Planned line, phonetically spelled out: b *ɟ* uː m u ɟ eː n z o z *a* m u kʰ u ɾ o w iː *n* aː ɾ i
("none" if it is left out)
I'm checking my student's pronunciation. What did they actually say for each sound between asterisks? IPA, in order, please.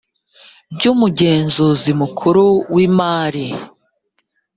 ɟ, i, m

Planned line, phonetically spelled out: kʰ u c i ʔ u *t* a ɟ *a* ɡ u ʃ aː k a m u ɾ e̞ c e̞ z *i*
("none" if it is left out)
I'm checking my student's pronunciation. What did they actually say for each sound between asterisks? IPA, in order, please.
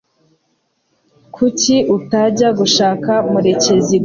t, a, i

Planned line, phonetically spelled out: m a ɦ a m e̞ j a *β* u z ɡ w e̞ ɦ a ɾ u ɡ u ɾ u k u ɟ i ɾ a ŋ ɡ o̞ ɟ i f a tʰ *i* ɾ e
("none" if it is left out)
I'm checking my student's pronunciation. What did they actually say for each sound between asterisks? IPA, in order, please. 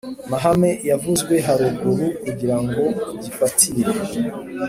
v, i

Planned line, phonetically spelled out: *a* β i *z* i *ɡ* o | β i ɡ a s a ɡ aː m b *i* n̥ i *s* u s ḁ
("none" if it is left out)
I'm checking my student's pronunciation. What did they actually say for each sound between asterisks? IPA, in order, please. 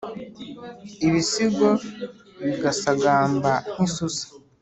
i, s, ɡ, a, s

